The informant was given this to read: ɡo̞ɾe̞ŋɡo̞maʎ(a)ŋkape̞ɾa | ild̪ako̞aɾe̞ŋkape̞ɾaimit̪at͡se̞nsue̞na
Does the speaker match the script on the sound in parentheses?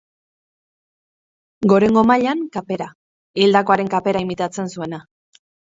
yes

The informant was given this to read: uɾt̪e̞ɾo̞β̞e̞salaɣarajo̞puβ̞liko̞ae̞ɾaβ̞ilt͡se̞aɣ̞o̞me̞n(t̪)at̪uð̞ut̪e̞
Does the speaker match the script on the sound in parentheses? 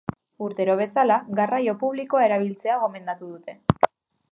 no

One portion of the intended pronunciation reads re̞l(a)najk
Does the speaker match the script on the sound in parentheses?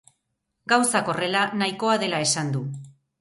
yes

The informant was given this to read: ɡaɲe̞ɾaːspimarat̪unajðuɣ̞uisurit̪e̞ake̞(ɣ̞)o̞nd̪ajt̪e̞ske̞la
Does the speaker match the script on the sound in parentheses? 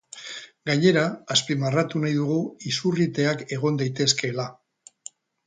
yes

